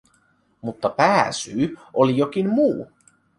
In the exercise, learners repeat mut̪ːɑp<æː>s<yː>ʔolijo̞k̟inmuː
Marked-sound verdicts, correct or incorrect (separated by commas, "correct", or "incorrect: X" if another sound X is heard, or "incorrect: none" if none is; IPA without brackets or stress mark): correct, correct